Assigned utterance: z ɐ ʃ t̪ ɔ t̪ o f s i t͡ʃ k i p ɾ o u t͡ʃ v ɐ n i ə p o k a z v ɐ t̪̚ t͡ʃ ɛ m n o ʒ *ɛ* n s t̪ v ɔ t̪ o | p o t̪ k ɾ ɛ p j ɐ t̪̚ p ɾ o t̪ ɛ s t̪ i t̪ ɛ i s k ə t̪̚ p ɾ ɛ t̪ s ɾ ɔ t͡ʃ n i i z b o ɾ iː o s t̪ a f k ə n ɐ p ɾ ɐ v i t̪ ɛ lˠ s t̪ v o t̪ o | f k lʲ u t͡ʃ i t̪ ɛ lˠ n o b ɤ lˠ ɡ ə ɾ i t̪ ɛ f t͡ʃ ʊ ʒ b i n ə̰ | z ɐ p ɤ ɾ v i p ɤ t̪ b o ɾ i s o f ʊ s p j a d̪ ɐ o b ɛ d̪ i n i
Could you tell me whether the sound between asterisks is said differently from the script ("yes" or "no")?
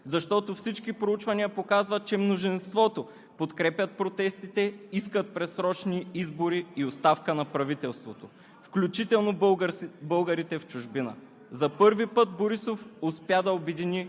yes